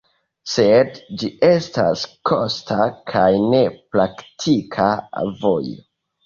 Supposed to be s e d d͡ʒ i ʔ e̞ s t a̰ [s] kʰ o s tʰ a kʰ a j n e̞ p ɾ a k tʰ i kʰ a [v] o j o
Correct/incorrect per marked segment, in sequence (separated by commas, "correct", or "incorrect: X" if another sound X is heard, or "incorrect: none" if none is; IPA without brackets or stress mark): correct, correct